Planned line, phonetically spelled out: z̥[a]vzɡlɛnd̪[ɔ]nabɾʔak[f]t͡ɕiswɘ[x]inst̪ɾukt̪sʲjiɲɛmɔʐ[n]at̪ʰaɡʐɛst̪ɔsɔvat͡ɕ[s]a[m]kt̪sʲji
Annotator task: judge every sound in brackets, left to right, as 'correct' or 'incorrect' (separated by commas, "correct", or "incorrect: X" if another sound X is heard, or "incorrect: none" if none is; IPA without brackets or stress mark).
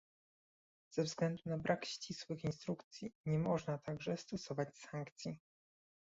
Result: incorrect: ɛ, incorrect: u, incorrect: ɕ, correct, correct, correct, incorrect: ŋ